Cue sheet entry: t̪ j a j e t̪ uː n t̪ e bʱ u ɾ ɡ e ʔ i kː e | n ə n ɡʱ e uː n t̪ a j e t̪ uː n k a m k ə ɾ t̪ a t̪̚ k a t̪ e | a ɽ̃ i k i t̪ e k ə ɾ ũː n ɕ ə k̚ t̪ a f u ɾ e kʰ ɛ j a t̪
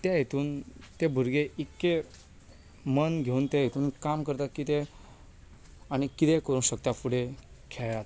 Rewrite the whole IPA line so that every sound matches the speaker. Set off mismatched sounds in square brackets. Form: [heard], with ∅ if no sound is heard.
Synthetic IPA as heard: t̪ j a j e t̪ uː n t̪ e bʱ u ɾ ɡ e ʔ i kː e | [m] ə n ɡʱ e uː n t̪ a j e t̪ uː n k a m k ə ɾ t̪ a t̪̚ k [i] t̪ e | a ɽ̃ i k i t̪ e k ə ɾ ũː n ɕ ə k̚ t̪ a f u [ɽ] e kʰ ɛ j a t̪

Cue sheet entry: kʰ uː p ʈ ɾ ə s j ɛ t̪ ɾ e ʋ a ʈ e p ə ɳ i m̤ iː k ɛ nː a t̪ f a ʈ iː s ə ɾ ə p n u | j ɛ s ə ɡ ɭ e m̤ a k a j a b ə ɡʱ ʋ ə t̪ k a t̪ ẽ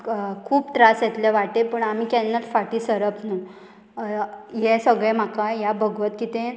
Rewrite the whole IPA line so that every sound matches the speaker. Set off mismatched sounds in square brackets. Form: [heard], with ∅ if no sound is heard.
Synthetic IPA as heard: kʰ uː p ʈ ɾ [a] s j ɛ t̪ [l] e ʋ a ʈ e p ə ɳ [a] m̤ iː k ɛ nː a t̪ f a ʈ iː s ə ɾ ə p n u | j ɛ s ə ɡ ɭ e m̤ a k a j a b ə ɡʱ ʋ ə t̪ k [i] t̪ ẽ

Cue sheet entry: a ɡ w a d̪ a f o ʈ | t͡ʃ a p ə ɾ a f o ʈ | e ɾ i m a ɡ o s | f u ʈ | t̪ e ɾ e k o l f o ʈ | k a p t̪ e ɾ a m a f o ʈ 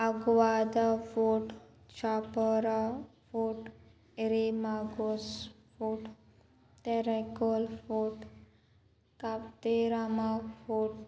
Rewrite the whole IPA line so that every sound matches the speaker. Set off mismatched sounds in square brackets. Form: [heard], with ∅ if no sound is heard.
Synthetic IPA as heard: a ɡ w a d̪ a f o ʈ | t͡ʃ a p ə ɾ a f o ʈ | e ɾ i m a ɡ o s | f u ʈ | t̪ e ɾ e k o l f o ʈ | k a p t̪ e ɾ a m a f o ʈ

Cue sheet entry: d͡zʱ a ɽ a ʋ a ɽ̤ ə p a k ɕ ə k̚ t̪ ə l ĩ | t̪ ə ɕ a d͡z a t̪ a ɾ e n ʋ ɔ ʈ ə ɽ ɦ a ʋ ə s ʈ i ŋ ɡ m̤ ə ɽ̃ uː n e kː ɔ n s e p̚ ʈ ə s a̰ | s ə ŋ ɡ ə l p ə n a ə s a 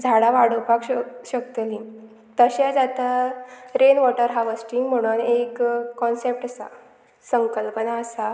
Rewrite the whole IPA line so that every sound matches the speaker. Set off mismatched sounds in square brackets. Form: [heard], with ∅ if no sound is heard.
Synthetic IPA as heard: d͡zʱ a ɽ a ʋ a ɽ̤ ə p a k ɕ ə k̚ t̪ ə l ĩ | t̪ ə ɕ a d͡z a t̪ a ɾ e n ʋ ɔ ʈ ə [ɾ] ɦ a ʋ ə s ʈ i ŋ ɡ m̤ ə ɽ̃ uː n e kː ɔ n s e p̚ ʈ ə s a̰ | s ə ŋ [k] ə l p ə n a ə s a

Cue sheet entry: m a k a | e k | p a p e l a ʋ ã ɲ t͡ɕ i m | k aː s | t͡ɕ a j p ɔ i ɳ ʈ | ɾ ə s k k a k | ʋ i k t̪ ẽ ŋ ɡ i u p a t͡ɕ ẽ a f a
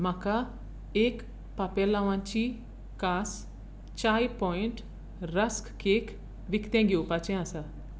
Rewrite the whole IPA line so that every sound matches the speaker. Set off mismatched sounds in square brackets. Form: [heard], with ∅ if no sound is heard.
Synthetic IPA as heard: m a k a | e k | p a p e l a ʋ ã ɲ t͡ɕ i [∅] | k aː s | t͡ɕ a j p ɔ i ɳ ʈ | ɾ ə s k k [e] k | ʋ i k t̪ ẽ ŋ ɡ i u p a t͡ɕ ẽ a [s] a

